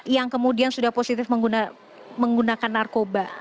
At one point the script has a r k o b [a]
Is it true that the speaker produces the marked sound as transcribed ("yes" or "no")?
yes